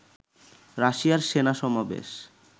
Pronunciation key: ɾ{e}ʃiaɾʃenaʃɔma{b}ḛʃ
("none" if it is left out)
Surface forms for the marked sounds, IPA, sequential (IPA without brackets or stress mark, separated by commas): a, b